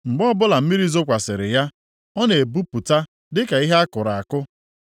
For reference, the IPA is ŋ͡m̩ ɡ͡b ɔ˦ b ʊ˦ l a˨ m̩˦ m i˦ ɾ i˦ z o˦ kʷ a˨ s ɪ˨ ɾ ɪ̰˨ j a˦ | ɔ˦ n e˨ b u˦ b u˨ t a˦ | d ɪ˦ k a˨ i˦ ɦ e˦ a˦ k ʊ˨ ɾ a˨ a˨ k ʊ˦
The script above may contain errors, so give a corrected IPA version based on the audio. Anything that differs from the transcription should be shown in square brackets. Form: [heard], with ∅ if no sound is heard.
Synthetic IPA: ŋ͡m̩ ɡ͡b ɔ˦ b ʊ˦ l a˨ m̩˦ m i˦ ɾ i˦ z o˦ kʷ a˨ s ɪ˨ ɾ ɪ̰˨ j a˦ | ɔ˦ n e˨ b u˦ [p] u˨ t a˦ | d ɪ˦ k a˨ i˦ ɦ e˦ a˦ k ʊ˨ ɾ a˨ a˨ k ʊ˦

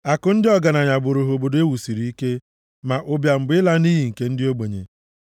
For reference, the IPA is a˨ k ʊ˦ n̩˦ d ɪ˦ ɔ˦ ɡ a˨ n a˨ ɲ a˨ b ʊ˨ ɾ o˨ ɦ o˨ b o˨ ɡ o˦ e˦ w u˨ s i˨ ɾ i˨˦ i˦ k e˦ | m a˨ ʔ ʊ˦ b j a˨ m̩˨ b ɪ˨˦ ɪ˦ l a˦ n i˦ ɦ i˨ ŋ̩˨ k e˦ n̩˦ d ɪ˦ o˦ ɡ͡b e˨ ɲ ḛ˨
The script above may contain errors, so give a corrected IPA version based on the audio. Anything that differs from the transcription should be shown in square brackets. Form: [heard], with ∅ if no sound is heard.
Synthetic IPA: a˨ k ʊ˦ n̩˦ d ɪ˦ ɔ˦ ɡ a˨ n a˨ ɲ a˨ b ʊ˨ ɾ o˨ ɦ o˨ b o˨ [d] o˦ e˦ w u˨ s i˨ ɾ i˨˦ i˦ k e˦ | m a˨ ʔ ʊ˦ b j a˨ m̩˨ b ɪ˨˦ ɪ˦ l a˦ n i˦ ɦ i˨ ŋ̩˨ k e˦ n̩˦ d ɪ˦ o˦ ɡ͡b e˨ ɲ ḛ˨

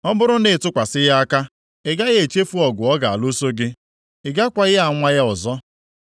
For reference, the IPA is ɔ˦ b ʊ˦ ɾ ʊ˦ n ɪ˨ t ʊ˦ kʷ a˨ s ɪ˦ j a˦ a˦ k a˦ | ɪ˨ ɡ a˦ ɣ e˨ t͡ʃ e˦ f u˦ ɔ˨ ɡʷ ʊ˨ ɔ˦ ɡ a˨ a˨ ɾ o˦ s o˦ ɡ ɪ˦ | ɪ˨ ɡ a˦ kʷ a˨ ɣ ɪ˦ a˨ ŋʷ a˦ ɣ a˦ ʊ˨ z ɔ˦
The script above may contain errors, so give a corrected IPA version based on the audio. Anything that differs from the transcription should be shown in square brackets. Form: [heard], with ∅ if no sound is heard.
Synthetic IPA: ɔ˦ b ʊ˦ ɾ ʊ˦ n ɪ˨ t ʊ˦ kʷ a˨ s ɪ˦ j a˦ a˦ k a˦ | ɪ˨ ɡ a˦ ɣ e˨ t͡ʃ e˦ f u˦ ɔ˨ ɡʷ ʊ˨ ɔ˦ ɡ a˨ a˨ [l] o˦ s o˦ ɡ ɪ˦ | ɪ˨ ɡ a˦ kʷ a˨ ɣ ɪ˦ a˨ ŋʷ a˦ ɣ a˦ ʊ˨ z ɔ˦

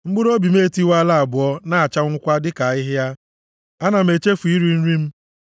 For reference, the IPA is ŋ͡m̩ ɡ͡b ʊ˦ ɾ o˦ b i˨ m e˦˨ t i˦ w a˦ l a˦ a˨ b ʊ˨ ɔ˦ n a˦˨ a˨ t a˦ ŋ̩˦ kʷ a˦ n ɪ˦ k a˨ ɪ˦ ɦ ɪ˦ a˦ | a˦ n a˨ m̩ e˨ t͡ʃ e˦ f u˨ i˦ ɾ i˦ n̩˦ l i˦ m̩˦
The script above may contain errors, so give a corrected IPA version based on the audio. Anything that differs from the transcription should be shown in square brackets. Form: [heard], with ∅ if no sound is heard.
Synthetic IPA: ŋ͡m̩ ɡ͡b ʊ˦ ɾ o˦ b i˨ m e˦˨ t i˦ w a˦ l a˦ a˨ b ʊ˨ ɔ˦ n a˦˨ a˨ [t͡ʃ] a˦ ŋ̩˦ kʷ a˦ [d] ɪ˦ k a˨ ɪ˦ ɦ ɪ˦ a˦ | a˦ n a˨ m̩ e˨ t͡ʃ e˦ f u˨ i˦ ɾ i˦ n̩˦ [ɾ] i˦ m̩˦

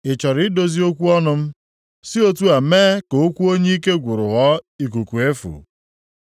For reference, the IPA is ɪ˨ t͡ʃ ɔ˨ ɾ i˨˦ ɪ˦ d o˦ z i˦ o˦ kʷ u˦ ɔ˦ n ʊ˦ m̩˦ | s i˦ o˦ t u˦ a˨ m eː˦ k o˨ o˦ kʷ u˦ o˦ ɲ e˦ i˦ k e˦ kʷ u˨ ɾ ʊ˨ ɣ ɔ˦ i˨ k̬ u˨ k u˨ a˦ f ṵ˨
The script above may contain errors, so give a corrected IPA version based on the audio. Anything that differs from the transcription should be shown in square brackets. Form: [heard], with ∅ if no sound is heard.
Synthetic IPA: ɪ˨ t͡ʃ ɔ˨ ɾ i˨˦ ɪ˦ d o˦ z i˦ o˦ kʷ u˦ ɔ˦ n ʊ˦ m̩˦ | s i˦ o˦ t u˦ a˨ m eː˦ k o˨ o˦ kʷ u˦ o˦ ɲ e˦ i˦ k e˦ [ɡʷ] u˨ ɾ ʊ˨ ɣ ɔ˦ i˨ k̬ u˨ k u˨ [e˦] f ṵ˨

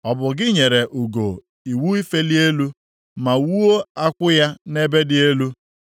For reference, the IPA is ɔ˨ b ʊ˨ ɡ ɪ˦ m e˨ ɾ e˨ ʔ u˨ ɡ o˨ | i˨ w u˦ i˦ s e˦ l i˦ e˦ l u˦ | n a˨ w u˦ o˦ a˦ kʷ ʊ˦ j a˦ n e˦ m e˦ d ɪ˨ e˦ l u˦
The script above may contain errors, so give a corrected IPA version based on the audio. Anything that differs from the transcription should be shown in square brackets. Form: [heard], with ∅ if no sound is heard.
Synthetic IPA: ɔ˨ b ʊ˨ ɡ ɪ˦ [ɲ] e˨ ɾ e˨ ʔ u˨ ɡ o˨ | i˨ w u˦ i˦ [f] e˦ l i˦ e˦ l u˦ | [m] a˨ w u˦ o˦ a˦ kʷ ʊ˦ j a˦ n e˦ [b] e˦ d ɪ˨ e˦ l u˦

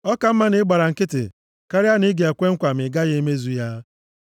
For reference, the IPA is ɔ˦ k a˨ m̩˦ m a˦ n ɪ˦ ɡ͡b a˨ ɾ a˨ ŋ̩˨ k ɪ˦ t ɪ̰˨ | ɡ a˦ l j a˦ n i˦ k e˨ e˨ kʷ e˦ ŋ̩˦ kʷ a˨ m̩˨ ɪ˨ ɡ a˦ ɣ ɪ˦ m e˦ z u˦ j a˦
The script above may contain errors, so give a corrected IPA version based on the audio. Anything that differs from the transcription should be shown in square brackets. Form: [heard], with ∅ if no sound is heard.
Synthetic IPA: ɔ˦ k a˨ m̩˦ m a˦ n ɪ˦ ɡ͡b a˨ ɾ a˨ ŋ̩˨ k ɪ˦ t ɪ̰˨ | [k] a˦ [ɾ] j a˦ n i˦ [ɡ] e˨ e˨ kʷ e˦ ŋ̩˦ kʷ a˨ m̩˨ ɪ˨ ɡ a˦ ɣ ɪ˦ m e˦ z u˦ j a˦

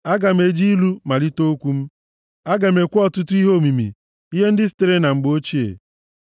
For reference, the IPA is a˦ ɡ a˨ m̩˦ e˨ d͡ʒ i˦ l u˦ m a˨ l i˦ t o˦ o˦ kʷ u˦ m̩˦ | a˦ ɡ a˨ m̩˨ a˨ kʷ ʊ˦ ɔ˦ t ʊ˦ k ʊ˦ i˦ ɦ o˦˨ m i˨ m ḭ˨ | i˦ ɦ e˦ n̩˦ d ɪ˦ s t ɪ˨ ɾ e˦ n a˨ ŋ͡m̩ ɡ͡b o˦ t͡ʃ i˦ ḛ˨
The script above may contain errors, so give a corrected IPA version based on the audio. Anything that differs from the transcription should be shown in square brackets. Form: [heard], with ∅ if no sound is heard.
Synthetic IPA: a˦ ɡ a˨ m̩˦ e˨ d͡ʒ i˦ l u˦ m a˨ l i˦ t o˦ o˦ kʷ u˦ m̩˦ | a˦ ɡ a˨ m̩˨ [e˨] kʷ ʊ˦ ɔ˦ t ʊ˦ [t] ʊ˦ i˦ ɦ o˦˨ m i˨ m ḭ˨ | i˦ ɦ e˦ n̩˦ d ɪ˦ s t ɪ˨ ɾ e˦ n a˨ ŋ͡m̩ ɡ͡b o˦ t͡ʃ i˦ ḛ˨

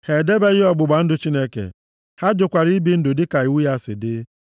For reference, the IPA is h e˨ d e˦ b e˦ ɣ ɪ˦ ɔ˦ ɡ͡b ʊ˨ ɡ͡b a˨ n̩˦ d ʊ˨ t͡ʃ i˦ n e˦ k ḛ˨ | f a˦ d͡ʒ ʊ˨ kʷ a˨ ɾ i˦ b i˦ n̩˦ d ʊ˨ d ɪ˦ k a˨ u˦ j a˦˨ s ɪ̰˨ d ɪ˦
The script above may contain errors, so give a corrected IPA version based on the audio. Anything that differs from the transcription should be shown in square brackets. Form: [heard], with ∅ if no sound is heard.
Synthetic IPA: h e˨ d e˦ b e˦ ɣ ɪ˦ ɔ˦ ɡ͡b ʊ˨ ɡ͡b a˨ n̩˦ d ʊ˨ t͡ʃ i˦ n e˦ k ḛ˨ | [h] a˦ d͡ʒ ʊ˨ kʷ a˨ ɾ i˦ b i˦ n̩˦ d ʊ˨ d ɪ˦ k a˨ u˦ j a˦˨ s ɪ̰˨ d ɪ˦

